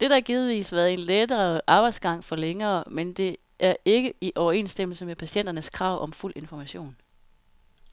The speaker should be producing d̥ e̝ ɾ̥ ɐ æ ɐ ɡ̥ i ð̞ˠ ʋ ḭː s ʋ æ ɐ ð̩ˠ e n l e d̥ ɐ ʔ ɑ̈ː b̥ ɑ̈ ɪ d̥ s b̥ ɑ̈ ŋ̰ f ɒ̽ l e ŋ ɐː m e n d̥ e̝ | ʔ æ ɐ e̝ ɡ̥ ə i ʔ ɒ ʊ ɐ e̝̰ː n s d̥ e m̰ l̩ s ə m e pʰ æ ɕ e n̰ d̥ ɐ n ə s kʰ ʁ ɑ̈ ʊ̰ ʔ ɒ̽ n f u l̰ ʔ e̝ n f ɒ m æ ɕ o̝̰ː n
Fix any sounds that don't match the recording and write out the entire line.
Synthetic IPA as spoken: d̥ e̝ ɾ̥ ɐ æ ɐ ɡ̥ i ð̞ˠ ʋ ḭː s ʋ æ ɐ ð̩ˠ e n l e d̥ ɐ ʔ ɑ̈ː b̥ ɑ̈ ɪ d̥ s ɡ̥ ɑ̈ ŋ̰ f ɒ̽ l e ŋ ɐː m e n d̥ e̝ | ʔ æ ɐ e̝ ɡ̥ ə i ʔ ɒ ʊ ɐ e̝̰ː n s d̥ e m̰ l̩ s ə m e pʰ æ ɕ e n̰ d̥ ɐ n ə s kʰ ʁ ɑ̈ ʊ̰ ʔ ɒ̽ m f u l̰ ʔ e̝ n f ɒ m æ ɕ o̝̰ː n